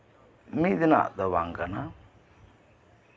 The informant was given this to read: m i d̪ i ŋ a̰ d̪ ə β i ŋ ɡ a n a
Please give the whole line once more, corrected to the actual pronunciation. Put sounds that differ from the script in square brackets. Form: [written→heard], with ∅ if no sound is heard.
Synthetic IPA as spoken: m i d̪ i [ŋ→n] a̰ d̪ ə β [i→a] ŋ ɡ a n a